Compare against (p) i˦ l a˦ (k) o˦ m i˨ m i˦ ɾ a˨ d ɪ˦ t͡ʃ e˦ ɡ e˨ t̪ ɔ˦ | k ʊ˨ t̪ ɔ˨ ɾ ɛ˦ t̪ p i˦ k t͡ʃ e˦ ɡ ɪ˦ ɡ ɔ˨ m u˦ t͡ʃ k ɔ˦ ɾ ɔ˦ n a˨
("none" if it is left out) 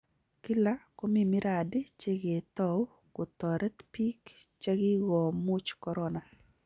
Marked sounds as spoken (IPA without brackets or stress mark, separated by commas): k, k